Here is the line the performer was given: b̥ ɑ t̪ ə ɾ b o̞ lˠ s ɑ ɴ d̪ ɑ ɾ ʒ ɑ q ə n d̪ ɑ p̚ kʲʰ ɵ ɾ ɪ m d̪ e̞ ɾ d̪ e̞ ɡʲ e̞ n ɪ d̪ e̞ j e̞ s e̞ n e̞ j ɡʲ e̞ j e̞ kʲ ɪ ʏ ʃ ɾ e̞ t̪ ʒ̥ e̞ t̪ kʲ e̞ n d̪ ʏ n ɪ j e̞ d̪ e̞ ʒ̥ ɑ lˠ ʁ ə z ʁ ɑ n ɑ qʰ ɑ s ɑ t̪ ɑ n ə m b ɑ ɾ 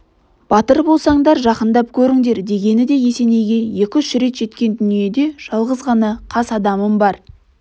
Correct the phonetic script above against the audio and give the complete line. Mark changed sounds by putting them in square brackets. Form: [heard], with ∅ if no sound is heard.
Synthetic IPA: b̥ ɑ t̪ ə ɾ b o̞ lˠ s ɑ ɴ d̪ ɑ ɾ ʒ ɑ q ə n d̪ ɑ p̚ kʲʰ ɵ ɾ ɪ [ŋ] d̪ e̞ ɾ d̪ e̞ ɡʲ e̞ n ɪ d̪ e̞ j e̞ s e̞ n e̞ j ɡʲ e̞ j e̞ kʲ ɪ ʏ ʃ ɾ e̞ t̪ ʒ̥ e̞ t̪ kʲ e̞ n d̪ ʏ n [i] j e̞ d̪ e̞ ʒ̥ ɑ lˠ ʁ ə z ʁ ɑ n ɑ qʰ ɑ s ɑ [d̪] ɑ [m] ə m b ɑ ɾ